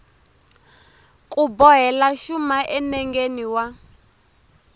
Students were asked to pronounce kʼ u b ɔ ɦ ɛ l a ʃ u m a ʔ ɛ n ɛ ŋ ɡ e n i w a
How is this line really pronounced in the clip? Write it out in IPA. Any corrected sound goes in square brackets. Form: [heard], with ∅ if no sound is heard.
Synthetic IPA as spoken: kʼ u b ɔ ɦ ɛ l a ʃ u m a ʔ ɛ n ɛ ŋ ɡ e n i w a